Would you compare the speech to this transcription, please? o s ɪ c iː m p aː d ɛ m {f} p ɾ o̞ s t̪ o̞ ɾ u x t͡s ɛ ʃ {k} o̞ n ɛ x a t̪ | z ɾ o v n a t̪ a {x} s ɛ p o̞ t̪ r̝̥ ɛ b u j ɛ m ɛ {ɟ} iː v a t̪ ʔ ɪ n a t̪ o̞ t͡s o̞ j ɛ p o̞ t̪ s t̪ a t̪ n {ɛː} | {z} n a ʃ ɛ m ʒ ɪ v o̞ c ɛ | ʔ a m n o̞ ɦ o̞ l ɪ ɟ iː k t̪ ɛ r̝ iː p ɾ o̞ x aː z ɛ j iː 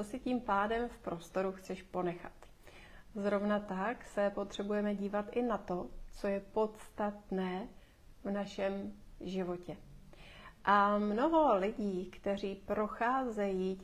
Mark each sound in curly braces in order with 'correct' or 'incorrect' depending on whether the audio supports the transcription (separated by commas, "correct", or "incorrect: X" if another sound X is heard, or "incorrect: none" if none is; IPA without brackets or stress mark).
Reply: correct, incorrect: p, incorrect: k, correct, correct, incorrect: v